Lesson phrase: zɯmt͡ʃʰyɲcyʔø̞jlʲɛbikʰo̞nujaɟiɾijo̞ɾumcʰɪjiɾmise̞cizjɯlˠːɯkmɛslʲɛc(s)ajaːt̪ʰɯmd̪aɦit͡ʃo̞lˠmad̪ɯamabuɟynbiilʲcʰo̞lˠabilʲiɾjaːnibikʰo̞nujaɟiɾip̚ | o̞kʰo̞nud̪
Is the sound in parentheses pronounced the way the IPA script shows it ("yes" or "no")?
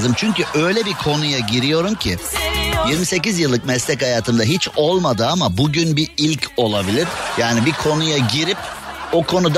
no